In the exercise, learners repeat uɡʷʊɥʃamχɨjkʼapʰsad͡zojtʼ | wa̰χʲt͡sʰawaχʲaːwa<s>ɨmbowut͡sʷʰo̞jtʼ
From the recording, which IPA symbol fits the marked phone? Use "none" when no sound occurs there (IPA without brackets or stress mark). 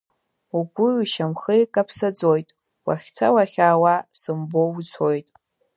s